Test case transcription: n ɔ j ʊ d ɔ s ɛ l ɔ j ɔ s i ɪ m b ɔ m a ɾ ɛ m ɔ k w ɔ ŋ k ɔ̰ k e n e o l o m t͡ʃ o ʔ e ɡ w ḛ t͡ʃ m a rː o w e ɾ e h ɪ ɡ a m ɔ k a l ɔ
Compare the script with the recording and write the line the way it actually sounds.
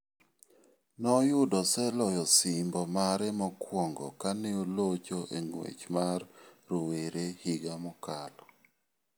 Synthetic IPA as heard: n ɔ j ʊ d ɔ s ɛ l ɔ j ɔ s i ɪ m b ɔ m a ɾ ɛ m ɔ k w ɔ ŋ ɡ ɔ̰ k a n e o l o t͡ʃ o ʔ e ŋ w ḛ t͡ʃ m a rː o w e ɾ e h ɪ ɡ a m ɔ k a l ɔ